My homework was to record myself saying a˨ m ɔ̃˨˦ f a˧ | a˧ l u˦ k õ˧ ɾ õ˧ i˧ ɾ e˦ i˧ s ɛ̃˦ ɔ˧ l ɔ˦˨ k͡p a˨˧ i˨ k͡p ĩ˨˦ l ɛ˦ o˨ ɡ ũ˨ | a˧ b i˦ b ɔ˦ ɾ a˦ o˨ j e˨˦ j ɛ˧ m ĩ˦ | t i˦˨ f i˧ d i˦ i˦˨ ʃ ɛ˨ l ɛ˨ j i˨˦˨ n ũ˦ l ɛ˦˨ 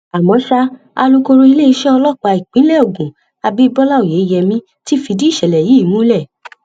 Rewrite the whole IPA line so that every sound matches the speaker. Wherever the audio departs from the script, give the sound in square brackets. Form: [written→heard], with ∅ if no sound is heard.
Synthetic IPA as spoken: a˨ m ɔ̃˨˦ [f→ʃ] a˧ | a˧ l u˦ k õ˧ ɾ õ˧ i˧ [ɾ→l] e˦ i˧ [s→ʃ] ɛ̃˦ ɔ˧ l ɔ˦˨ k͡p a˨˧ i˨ k͡p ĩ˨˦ l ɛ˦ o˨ ɡ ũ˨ | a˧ b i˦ b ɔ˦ [ɾ→l] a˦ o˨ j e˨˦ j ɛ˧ m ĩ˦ | t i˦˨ f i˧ d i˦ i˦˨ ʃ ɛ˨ l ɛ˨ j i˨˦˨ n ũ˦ l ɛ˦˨